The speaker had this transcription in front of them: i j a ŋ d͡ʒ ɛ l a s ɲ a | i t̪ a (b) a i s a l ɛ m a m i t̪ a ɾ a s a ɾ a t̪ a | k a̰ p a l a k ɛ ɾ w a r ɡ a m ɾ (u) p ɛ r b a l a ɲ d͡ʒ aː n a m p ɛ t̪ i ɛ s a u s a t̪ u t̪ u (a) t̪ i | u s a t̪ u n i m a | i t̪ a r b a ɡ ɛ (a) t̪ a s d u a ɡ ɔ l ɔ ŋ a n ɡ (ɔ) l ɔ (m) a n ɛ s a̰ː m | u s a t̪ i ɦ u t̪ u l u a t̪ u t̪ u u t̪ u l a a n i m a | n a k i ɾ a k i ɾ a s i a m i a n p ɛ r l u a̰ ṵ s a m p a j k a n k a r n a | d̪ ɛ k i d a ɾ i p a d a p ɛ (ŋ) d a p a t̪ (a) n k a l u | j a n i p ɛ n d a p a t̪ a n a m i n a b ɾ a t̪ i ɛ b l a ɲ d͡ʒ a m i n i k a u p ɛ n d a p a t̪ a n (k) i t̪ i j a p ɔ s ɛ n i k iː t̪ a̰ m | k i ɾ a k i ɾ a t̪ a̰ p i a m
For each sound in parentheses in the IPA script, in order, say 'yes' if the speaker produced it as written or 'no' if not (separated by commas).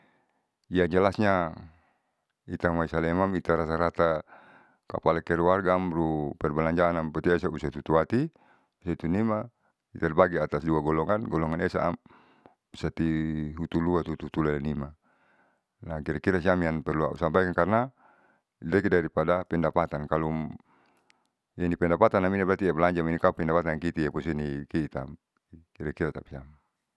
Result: no, yes, yes, yes, yes, no, no, yes, yes